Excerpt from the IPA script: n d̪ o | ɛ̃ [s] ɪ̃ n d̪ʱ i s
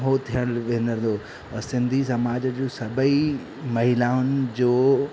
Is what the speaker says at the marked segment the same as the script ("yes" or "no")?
yes